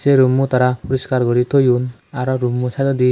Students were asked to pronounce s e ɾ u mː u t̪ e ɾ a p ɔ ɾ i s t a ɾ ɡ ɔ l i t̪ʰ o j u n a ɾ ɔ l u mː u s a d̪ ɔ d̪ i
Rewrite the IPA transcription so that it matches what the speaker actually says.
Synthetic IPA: s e ɾ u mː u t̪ a ɾ a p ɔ ɾ i s k a ɾ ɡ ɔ ɾ i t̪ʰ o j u n a ɾ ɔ ɾ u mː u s a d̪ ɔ d̪ i